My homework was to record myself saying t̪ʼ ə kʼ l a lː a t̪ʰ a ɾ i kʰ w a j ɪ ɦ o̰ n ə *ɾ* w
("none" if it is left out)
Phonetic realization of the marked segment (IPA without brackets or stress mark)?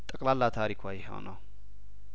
none